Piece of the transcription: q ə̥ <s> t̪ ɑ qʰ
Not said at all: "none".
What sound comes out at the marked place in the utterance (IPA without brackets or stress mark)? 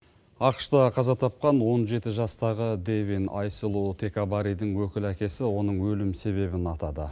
ʃ